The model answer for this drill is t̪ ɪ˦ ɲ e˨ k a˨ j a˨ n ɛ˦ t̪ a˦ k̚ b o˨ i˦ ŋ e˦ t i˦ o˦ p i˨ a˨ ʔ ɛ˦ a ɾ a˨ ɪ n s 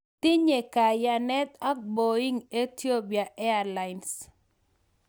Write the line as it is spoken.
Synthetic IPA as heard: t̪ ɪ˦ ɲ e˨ k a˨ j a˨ n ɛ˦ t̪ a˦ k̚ b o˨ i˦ ŋ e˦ t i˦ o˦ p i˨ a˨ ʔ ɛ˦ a l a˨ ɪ n s